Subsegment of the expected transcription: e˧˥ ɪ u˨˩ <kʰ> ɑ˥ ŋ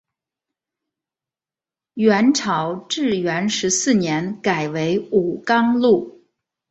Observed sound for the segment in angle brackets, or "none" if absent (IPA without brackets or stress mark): k